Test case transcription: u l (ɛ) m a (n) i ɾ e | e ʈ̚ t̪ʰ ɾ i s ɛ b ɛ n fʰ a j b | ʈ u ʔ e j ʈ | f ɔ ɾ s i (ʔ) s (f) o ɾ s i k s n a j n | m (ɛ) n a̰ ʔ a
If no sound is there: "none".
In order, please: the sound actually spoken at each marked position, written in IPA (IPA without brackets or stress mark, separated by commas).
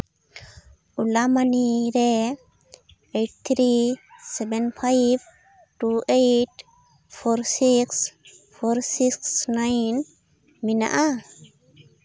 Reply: a, n, k, f, i